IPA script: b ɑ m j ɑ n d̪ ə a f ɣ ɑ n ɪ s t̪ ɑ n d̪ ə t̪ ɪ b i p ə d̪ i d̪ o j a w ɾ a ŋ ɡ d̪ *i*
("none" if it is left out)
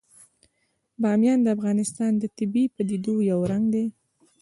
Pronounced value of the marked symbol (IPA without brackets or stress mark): e